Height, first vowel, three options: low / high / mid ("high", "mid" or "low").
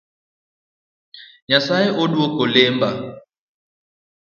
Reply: low